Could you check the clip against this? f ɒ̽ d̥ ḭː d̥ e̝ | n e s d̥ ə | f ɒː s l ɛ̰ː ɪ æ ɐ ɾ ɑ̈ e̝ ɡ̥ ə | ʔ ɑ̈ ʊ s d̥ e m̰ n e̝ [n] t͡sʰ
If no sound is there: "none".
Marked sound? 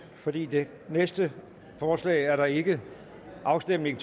ŋ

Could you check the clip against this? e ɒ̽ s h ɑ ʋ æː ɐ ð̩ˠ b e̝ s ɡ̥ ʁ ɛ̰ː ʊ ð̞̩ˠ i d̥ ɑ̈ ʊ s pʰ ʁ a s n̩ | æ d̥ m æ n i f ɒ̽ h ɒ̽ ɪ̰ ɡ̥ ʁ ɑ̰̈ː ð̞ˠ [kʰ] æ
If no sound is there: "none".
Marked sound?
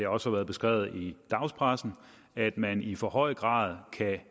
kʰ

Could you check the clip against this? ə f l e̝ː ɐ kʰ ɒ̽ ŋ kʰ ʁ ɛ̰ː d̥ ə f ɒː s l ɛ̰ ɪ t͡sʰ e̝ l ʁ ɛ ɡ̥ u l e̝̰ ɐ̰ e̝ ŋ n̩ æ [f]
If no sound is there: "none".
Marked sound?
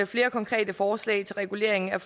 f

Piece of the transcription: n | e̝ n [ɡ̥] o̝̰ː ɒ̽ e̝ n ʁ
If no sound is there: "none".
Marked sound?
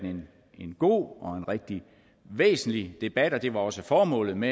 ɡ̥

